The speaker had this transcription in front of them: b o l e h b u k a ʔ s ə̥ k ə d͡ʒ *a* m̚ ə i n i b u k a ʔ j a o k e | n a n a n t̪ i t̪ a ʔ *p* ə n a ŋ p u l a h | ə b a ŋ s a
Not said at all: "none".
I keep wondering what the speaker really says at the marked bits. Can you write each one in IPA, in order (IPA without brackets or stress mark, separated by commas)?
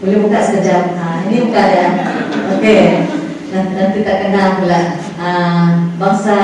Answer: a, k